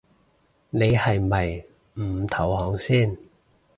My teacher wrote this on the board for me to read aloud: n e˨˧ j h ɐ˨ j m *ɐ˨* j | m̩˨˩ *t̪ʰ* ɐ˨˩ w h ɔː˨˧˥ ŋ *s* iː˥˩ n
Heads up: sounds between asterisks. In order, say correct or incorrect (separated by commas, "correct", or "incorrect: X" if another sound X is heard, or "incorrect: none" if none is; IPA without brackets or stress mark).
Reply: correct, correct, correct